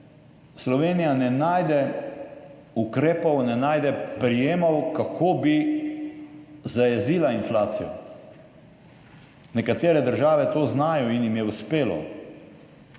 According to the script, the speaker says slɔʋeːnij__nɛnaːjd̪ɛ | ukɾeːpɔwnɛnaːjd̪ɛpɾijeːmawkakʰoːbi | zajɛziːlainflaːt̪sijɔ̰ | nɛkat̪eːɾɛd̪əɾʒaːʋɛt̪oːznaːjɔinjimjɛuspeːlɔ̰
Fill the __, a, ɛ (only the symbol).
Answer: a